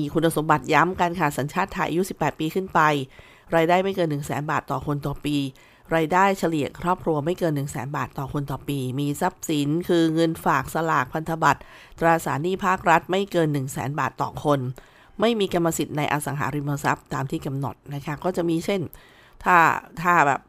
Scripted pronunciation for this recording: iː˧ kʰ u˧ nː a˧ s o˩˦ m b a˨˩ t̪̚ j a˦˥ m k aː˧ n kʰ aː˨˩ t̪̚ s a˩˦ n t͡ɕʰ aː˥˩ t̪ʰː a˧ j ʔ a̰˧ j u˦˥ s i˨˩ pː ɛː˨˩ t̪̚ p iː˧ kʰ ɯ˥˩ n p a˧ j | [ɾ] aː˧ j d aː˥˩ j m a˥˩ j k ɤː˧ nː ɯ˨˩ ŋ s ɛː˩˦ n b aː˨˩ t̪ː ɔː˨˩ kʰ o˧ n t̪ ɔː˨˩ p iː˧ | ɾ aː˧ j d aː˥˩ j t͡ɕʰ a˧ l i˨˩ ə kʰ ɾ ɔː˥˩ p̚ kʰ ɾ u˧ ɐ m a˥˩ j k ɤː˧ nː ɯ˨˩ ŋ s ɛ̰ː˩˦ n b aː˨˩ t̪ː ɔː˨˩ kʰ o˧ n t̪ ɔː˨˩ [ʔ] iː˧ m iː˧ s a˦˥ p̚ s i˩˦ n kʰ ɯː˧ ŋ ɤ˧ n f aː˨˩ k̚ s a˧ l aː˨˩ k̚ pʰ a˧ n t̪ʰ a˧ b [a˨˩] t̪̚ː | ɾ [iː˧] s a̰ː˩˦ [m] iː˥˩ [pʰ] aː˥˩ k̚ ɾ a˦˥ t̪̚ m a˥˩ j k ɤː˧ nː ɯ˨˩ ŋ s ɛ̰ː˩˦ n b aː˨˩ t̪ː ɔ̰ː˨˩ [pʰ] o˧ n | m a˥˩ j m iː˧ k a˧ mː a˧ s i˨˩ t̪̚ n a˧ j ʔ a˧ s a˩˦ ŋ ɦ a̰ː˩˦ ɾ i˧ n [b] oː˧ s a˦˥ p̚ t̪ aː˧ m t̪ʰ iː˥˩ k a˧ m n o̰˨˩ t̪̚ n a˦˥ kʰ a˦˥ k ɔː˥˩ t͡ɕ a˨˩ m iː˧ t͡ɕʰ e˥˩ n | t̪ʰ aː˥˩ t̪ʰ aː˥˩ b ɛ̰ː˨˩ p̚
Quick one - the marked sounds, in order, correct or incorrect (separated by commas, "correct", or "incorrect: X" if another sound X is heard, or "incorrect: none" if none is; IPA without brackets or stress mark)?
correct, incorrect: p, correct, incorrect: aː˧, incorrect: n, correct, incorrect: kʰ, incorrect: m